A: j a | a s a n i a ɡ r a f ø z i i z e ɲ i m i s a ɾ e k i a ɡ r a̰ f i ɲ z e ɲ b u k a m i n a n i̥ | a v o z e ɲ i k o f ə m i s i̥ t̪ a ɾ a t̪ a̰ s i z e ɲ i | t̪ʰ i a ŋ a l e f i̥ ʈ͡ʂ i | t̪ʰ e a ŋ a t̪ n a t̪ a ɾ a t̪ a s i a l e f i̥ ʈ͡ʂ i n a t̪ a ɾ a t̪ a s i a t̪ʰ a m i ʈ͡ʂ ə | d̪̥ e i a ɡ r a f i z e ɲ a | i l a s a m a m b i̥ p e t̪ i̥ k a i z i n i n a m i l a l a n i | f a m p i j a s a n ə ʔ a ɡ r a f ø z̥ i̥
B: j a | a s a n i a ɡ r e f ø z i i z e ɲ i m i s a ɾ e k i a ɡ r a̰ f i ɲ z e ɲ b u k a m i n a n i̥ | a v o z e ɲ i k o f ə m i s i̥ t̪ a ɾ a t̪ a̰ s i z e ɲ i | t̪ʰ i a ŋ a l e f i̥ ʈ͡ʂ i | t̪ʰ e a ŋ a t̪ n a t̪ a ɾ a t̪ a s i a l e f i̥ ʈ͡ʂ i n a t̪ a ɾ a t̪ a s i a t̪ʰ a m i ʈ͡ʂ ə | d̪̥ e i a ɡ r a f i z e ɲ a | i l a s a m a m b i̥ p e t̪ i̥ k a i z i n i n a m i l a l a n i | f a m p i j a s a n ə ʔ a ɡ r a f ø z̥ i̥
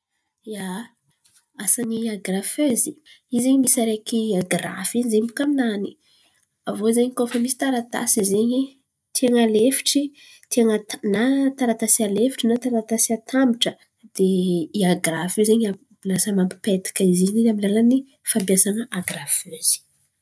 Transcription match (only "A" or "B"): A